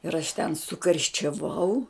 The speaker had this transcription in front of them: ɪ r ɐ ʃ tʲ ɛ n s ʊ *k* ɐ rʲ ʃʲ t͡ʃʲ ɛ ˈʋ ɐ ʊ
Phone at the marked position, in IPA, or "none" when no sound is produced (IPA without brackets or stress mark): k